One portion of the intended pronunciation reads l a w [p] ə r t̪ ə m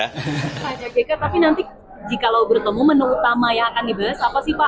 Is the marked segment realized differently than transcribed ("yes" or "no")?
yes